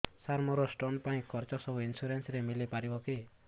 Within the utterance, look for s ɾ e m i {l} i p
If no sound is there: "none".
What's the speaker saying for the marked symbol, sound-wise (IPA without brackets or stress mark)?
l